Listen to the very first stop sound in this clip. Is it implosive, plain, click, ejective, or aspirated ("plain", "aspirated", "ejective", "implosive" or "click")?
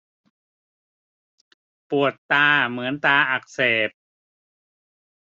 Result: plain